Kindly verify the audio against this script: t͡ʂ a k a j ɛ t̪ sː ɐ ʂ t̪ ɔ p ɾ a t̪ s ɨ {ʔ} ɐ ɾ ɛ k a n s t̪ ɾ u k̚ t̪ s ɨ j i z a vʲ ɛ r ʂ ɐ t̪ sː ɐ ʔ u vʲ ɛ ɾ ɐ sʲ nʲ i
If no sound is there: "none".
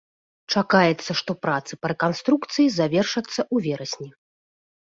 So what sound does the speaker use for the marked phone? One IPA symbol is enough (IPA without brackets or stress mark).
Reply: p